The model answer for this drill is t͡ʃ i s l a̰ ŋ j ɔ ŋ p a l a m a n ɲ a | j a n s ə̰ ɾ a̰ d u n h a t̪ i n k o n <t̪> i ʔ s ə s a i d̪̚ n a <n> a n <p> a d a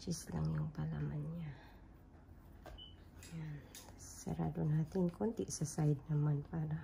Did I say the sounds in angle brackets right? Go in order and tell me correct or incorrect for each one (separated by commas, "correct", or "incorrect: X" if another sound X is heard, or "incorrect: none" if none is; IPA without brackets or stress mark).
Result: correct, incorrect: m, correct